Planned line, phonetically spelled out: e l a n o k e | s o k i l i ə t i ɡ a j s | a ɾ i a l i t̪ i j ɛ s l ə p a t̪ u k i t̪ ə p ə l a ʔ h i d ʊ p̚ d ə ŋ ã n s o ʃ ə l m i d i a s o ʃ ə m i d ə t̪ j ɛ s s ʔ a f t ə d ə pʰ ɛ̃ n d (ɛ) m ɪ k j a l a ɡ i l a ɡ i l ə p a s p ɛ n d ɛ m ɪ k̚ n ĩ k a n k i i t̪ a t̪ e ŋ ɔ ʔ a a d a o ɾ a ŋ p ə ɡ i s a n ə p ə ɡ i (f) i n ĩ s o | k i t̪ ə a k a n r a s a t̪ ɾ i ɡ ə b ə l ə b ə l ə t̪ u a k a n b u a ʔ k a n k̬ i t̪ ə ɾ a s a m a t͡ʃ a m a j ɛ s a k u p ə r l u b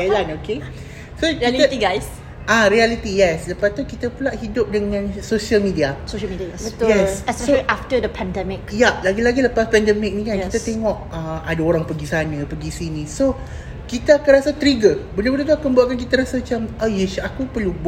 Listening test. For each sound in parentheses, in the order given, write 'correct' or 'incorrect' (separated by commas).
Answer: correct, incorrect